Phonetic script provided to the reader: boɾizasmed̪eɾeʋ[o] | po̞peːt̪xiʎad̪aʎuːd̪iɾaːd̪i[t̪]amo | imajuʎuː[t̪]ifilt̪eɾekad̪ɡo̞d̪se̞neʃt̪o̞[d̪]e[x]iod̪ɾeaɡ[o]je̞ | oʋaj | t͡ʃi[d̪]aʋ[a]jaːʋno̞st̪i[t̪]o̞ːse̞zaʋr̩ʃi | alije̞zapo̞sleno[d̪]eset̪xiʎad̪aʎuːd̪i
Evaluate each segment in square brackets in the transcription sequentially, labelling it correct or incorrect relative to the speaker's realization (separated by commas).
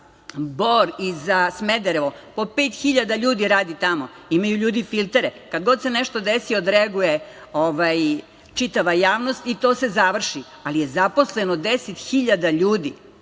correct, correct, incorrect, correct, incorrect, incorrect, incorrect, correct, correct, correct